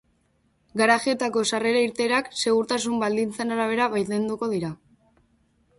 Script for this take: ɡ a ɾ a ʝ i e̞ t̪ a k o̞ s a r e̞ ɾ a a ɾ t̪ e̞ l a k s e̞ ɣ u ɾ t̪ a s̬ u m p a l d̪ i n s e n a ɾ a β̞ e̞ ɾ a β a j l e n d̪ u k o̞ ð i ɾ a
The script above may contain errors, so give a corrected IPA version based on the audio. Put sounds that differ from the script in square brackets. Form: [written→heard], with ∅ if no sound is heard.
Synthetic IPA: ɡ a ɾ a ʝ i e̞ t̪ a k o̞ s a r e̞ ɾ a [a→i] ɾ t̪ e̞ [l→ɾ] a k s e̞ ɣ u ɾ t̪ a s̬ u m [p→b] a l d̪ i n [s→t͡s] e n a ɾ a β̞ e̞ ɾ a β a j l e n d̪ u k o̞ ð i ɾ a